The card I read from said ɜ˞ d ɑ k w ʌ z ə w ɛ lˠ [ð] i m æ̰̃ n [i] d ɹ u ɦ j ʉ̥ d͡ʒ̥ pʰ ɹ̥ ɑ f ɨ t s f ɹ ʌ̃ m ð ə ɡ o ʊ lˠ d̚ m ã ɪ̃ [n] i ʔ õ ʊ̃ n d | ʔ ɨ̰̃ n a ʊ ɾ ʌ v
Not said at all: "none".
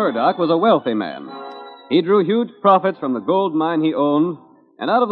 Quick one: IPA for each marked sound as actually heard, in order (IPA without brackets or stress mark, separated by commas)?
θ, i, n